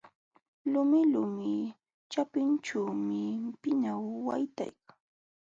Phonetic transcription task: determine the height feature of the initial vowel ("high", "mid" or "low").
high